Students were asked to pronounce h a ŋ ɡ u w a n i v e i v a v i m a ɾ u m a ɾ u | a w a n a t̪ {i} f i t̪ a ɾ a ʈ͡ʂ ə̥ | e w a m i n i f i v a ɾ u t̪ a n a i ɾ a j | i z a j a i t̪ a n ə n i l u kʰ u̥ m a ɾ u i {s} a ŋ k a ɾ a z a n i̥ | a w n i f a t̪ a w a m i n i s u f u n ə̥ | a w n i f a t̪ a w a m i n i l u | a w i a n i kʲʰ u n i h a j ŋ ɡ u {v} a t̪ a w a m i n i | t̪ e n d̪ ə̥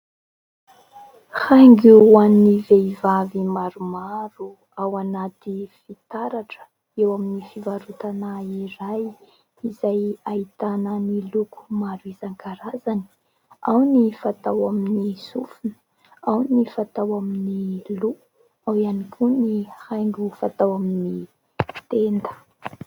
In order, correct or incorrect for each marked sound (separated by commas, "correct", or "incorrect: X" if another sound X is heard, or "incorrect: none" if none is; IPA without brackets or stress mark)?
correct, incorrect: z, incorrect: f